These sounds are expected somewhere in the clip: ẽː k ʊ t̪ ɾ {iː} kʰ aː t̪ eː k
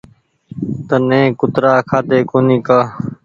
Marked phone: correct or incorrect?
incorrect